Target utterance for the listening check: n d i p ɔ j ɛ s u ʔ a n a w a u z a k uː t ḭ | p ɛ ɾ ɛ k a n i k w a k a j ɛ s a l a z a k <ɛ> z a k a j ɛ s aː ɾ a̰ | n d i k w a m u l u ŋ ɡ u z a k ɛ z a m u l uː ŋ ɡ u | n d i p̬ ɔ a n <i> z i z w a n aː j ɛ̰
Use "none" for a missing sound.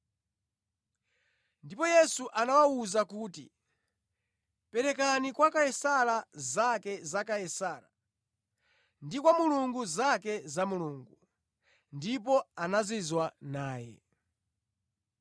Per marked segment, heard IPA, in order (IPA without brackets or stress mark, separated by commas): ɛ, a